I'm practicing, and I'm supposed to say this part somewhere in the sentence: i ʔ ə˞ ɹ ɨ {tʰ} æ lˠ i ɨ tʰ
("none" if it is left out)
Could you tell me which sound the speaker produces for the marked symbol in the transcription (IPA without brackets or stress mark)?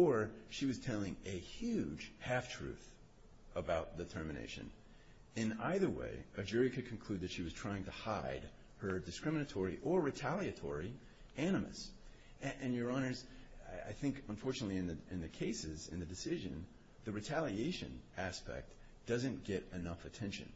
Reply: tʰ